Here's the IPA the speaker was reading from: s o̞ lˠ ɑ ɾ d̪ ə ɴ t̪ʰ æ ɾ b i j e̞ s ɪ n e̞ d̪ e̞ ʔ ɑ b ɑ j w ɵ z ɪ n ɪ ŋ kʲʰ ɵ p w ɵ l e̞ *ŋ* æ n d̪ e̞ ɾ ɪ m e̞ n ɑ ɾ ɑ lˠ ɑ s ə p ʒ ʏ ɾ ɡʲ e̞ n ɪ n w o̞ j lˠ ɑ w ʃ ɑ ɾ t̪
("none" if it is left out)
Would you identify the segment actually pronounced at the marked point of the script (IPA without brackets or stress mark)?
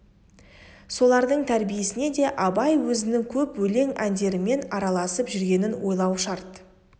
ŋ